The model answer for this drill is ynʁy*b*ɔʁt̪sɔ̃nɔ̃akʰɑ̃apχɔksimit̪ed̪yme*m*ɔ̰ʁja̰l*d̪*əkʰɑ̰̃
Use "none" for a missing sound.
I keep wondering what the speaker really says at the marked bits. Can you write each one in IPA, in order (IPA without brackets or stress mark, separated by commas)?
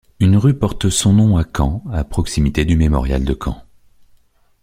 p, m, d̪